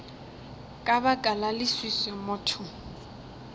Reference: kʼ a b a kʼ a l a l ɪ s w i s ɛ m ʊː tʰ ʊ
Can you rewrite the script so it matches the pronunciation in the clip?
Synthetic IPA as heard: kʼ a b a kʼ a l a l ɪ s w i s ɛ m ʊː tʰ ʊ